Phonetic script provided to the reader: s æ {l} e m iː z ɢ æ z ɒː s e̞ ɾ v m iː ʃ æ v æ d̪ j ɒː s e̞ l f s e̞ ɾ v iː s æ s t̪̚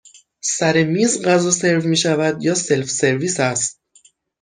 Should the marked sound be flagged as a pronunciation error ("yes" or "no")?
yes